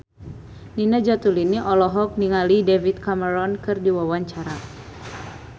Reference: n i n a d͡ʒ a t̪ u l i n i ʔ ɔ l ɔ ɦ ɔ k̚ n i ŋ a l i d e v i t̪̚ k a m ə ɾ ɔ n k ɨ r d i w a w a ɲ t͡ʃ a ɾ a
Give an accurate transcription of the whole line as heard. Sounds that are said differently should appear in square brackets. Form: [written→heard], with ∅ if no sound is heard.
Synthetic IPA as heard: n i n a d͡ʒ a t̪ u l i n i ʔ ɔ l ɔ ɦ ɔ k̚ n i ŋ a l i d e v i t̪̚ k a m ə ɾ ɔ n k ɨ r d i w a w a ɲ t͡ʃ a ɾ a